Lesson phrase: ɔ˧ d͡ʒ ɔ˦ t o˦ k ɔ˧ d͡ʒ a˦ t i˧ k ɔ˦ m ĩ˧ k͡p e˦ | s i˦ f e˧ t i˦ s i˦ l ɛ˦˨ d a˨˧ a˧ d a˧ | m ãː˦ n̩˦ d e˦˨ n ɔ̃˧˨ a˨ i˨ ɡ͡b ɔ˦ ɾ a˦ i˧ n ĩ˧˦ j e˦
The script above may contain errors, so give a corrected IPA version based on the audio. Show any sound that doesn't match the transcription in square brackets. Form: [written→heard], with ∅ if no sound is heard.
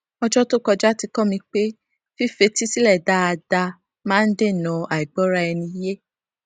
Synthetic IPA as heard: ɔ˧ d͡ʒ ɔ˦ t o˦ k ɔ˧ d͡ʒ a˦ t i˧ k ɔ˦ m ĩ˧ k͡p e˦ | [s→f] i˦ f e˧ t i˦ s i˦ l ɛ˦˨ d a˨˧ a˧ d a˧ | m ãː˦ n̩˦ d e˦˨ n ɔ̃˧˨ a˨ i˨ ɡ͡b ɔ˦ ɾ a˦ [i˧→ɛ˧] n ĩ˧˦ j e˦